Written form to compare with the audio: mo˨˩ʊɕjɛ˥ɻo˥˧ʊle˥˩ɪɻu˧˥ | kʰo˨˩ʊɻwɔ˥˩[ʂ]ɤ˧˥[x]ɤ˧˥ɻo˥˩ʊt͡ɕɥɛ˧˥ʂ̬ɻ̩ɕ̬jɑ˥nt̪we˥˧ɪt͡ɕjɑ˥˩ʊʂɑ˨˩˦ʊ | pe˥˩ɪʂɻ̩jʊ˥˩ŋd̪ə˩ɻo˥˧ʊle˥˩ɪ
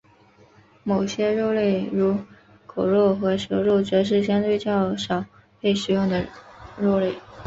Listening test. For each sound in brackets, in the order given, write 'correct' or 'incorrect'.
incorrect: x, incorrect: ʂ

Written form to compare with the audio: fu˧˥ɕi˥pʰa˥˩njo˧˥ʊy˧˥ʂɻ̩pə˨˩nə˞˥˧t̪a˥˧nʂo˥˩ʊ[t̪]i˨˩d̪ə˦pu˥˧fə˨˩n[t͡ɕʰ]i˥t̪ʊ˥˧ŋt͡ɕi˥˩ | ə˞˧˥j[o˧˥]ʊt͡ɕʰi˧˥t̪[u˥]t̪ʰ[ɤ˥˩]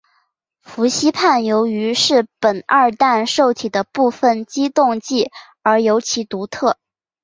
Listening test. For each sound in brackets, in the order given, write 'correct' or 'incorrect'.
incorrect: t̪ʰ, incorrect: t͡ɕ, correct, incorrect: u˧˥, correct

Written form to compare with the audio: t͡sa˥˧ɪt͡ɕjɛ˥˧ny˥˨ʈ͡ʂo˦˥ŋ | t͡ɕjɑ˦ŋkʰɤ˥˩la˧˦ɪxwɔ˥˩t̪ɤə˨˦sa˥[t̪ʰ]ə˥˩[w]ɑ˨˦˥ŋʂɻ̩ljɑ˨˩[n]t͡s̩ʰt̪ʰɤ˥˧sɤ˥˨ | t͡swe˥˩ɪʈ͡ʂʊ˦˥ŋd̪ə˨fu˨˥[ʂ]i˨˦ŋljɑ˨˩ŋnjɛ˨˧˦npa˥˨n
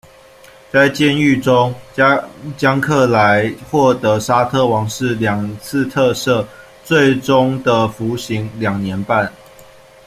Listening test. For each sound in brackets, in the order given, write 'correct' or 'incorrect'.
correct, correct, incorrect: ŋ, incorrect: ɕ

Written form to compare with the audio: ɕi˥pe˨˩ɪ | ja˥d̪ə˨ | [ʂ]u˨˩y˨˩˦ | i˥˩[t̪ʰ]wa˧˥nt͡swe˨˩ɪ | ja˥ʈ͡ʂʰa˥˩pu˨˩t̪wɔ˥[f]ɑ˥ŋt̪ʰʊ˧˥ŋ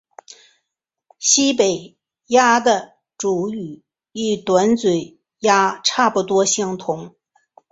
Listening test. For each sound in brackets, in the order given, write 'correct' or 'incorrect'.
incorrect: ʈ͡ʂ, incorrect: t̪, incorrect: ɕ

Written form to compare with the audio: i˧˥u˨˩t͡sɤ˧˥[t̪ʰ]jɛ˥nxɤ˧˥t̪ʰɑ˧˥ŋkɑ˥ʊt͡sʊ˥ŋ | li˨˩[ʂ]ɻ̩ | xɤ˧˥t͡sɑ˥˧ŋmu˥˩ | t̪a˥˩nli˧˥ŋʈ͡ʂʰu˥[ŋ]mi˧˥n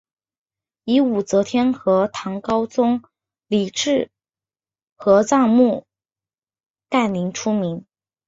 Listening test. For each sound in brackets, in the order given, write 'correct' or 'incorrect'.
correct, incorrect: ʈ͡ʂ, incorrect: none

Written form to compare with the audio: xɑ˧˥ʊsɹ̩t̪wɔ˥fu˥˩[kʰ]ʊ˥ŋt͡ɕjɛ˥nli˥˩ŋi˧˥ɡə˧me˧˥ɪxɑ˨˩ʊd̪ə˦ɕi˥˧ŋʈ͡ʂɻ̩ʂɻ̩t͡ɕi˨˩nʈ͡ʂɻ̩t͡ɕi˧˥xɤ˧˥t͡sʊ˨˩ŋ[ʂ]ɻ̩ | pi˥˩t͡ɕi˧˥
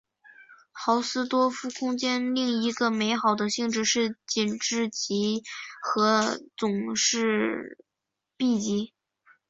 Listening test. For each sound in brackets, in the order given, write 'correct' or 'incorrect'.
correct, correct

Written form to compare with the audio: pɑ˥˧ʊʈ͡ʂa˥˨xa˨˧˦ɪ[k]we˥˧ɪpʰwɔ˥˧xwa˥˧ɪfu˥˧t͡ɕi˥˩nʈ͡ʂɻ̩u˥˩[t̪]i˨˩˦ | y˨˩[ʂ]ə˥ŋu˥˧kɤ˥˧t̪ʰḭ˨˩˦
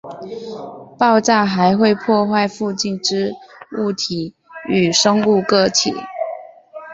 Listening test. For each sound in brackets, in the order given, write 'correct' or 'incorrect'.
incorrect: x, incorrect: t̪ʰ, correct

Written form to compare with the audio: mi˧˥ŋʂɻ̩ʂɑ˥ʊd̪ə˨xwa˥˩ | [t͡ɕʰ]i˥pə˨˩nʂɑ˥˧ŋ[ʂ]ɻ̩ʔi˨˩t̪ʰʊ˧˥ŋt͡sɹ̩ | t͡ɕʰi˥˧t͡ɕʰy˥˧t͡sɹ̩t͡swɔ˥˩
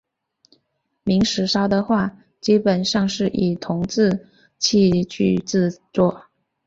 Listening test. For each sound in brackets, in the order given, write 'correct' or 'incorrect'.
incorrect: t͡ɕ, correct

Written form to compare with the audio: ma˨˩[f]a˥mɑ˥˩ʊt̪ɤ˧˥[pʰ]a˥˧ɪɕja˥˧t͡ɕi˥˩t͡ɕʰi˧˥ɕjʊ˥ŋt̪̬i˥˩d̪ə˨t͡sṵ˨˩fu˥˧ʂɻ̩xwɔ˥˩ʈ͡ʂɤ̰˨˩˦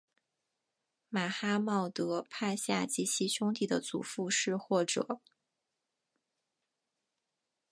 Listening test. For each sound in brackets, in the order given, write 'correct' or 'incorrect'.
incorrect: x, correct

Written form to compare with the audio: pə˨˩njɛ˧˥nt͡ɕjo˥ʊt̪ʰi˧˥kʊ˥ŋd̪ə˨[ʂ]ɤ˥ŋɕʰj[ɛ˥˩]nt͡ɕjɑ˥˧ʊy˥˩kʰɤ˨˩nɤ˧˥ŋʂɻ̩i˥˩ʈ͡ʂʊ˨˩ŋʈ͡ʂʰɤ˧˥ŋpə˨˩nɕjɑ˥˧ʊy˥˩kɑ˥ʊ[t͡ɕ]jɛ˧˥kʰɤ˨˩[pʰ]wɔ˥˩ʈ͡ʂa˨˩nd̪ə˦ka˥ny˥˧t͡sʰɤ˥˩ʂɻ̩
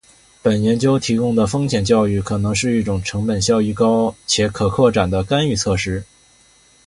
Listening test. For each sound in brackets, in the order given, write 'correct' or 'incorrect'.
incorrect: f, incorrect: ɛ˨˩, incorrect: t͡ɕʰ, incorrect: kʰ

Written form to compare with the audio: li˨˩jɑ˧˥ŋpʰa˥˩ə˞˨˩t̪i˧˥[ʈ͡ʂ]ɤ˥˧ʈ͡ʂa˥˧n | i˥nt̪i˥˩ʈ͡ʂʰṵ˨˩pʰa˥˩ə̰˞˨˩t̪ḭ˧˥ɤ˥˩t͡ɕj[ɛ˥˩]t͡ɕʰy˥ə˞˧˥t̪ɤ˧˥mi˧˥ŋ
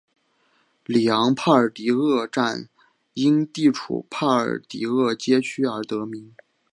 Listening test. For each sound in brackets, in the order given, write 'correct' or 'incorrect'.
incorrect: none, incorrect: ɛ˥

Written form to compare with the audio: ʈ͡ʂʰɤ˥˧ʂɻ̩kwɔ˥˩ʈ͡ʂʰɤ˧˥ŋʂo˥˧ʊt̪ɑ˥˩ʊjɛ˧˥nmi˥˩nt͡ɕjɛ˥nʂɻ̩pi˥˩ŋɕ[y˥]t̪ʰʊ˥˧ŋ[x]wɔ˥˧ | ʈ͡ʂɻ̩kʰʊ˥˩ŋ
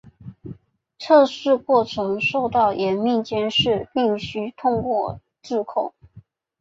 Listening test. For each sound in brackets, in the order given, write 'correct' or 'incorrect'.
correct, incorrect: k

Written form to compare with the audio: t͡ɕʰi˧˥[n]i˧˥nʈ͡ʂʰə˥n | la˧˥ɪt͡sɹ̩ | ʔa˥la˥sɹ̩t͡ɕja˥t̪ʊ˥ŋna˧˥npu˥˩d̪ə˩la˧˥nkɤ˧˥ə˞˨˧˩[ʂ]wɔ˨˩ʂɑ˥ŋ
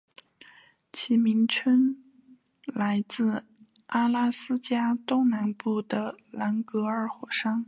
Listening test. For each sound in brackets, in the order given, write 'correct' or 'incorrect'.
incorrect: m, incorrect: x

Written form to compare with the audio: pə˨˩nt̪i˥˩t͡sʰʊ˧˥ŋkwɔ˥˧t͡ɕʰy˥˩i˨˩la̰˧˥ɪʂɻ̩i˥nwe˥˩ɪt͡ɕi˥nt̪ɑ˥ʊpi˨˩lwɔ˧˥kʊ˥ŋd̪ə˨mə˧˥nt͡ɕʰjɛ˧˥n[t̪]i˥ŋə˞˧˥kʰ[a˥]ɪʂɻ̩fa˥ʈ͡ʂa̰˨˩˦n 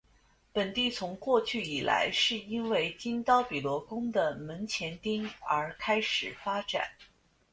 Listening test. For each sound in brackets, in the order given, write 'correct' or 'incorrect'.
correct, correct

